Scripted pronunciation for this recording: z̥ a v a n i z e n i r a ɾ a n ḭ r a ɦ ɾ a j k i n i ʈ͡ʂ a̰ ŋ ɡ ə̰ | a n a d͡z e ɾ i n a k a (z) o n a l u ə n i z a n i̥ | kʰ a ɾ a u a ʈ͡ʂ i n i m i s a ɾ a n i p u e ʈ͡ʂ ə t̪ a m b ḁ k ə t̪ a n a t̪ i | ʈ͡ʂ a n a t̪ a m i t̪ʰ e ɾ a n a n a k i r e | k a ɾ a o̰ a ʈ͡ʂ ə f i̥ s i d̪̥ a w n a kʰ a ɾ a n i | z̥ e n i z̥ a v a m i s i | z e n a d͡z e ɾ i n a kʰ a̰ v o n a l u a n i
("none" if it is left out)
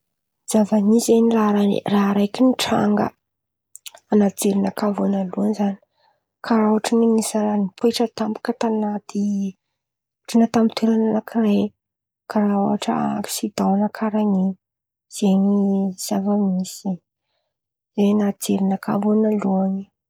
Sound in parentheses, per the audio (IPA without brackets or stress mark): v